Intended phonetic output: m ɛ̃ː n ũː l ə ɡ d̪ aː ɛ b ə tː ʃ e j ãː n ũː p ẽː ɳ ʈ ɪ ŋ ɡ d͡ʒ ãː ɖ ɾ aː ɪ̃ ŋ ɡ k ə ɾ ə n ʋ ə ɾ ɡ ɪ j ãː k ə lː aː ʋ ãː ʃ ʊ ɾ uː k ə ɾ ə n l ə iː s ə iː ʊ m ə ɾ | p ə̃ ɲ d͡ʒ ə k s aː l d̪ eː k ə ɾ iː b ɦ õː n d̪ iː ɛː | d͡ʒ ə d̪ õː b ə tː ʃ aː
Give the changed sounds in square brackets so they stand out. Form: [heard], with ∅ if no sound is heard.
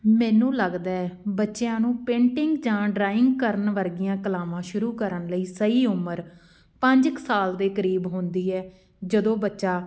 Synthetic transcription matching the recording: m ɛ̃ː n ũː l ə ɡ d̪ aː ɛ b ə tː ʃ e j ãː n ũː p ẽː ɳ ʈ ɪ ŋ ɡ d͡ʒ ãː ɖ ɾ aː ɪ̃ ŋ ɡ k ə ɾ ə n ʋ ə ɾ ɡ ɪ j ãː k ə [l] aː ʋ ãː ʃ ʊ ɾ uː k ə ɾ ə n l ə iː s ə iː ʊ m ə ɾ | p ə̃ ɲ d͡ʒ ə k s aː l d̪ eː k ə ɾ iː b ɦ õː n d̪ iː ɛː | d͡ʒ ə d̪ õː b ə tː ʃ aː